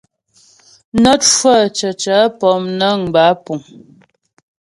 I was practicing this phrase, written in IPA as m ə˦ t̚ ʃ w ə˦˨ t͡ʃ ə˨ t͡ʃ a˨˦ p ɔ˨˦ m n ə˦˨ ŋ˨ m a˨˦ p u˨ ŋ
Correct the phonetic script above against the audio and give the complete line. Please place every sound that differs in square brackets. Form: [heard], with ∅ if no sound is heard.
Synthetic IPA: [n] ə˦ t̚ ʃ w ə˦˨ t͡ʃ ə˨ t͡ʃ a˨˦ p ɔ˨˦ m n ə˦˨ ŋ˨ [b] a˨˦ p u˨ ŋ